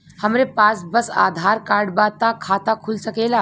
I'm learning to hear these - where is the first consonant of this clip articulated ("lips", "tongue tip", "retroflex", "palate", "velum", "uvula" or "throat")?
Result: throat